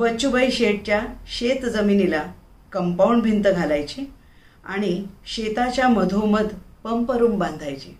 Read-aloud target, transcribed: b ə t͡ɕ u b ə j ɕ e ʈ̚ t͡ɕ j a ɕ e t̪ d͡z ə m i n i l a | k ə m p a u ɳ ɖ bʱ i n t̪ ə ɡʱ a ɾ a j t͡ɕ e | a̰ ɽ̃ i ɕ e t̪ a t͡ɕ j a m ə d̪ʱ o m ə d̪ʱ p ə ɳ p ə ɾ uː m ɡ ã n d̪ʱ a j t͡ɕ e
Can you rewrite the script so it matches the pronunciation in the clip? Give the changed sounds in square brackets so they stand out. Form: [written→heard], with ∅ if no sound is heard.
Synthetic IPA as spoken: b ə t͡ɕ u b ə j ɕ e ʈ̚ t͡ɕ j a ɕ e t̪ d͡z ə m i n i l a | k ə m p a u ɳ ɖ bʱ i n t̪ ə ɡʱ a [ɾ→l] a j t͡ɕ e | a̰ ɽ̃ i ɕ e t̪ a t͡ɕ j a m ə d̪ʱ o m ə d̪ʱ p ə [ɳ→m] p ə ɾ uː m [ɡ→b] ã n d̪ʱ a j t͡ɕ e